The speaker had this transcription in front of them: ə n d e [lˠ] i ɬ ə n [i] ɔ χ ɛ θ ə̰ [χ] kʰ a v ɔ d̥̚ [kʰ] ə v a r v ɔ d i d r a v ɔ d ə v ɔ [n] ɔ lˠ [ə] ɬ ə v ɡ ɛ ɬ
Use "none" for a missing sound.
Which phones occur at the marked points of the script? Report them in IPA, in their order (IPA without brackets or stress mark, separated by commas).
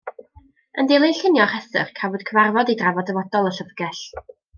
lˠ, j, χ, kʰ, d, ə